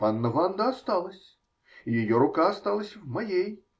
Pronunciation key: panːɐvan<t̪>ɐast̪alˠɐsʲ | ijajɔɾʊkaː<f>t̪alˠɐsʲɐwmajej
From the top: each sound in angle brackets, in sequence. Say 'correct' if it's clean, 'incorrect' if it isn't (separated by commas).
incorrect, incorrect